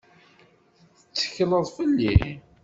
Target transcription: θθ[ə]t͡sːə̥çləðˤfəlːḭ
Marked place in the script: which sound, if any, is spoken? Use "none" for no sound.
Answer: ə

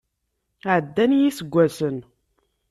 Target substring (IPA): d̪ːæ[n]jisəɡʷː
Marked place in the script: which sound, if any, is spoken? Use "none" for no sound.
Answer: n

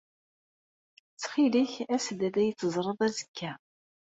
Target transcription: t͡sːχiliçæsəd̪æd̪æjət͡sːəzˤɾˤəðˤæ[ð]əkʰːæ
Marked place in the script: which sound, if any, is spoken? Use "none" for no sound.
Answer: z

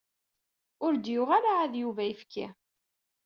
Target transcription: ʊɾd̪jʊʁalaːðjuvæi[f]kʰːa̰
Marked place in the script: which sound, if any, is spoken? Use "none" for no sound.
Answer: f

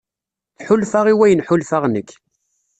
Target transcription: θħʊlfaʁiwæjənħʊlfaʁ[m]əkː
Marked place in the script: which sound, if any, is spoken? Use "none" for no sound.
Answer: n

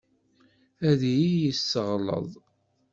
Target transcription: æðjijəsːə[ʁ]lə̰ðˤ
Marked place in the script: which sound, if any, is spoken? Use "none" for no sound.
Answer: ʁ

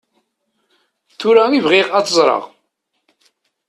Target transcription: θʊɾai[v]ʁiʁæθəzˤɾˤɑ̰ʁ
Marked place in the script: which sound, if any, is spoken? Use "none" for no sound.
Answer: v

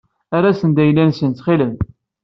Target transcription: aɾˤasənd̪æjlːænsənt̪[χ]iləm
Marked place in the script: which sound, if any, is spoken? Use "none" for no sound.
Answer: χ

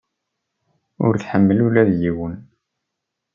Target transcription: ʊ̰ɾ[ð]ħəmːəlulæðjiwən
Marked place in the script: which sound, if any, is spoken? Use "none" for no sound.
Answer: θ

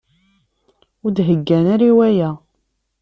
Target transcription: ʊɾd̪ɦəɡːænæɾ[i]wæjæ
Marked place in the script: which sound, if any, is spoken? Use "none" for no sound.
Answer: i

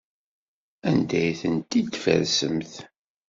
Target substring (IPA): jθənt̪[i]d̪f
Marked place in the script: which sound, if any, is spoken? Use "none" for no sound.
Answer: i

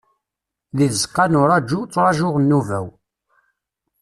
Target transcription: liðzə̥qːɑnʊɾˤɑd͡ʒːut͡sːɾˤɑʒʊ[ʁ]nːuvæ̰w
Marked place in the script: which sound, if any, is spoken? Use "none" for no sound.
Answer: ʁ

